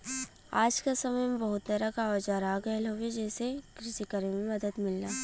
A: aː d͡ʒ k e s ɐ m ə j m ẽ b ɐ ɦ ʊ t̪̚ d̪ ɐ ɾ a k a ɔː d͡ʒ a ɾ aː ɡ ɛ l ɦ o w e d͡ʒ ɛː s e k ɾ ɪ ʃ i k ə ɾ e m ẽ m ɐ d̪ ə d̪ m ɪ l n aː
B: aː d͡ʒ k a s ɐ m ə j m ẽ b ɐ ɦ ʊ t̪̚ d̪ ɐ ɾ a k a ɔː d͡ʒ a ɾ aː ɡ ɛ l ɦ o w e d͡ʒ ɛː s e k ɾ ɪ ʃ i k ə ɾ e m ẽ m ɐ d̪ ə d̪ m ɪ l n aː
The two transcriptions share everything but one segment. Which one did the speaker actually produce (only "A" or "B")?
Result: B